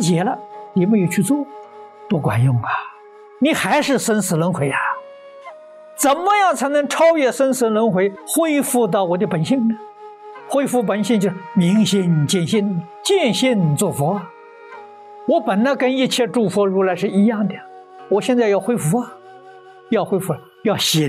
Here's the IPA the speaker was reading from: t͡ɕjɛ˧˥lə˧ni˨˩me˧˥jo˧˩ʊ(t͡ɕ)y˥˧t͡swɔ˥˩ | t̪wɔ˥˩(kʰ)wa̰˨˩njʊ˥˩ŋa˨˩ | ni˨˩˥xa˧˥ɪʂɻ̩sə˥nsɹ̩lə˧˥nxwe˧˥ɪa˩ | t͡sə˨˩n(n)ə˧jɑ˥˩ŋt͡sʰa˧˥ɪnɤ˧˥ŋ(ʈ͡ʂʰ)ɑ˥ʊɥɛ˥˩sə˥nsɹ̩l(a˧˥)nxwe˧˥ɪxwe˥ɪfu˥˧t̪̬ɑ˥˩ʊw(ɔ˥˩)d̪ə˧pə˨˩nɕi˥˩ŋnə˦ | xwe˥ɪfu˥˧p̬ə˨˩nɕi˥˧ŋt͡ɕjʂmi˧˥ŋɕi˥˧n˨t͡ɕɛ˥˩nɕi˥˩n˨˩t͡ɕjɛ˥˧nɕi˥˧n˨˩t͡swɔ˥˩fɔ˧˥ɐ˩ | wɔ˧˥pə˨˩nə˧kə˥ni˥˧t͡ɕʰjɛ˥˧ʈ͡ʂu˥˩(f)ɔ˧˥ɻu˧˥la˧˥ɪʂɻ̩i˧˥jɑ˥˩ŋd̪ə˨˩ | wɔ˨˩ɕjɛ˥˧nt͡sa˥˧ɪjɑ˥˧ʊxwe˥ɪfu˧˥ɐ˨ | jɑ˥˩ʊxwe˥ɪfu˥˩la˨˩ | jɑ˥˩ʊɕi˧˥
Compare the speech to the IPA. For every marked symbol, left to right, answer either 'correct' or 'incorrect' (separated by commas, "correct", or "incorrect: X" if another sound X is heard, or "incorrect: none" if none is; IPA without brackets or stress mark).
incorrect: t͡ɕʰ, incorrect: k, incorrect: m, correct, incorrect: ə˧˥, incorrect: ɔ˨˩, correct